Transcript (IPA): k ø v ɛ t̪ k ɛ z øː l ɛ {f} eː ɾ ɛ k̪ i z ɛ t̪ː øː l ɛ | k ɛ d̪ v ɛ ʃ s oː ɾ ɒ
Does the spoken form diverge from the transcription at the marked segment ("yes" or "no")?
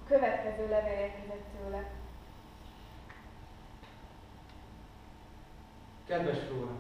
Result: yes